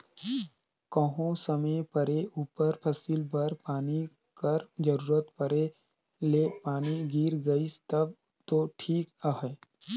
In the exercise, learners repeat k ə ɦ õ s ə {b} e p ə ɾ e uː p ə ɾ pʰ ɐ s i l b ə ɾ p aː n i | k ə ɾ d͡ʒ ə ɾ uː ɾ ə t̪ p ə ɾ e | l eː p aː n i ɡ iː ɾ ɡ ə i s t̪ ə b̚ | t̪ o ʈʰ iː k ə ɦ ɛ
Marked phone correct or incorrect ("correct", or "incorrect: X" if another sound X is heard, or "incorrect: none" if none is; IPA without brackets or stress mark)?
incorrect: m